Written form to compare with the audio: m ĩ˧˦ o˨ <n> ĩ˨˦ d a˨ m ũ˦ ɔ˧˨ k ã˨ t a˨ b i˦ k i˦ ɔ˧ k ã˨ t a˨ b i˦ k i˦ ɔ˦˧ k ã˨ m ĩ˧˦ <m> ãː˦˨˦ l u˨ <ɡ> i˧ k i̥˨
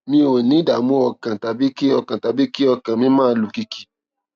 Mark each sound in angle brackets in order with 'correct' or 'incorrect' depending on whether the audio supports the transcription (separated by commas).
correct, correct, incorrect